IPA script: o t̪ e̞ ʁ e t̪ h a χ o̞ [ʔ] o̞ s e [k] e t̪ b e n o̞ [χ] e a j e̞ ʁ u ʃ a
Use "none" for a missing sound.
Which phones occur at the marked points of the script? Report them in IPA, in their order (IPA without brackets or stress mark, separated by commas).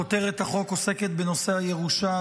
k, k, s